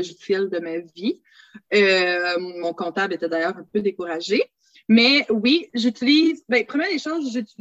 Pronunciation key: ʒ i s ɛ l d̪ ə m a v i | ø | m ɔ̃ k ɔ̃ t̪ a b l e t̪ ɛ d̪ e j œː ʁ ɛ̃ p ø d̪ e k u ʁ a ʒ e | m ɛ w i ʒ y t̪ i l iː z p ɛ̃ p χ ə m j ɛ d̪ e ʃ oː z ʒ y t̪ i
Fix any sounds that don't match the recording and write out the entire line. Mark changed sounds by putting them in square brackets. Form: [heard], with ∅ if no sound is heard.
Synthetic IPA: ʒ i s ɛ l d̪ ə m a v i | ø | m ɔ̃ k ɔ̃ t̪ a b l e t̪ ɛ d̪ [a] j œː ʁ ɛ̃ p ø d̪ e k u ʁ a ʒ e | m ɛ w i ʒ y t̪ i l iː z [b] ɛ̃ p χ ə m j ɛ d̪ e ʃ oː z ʒ y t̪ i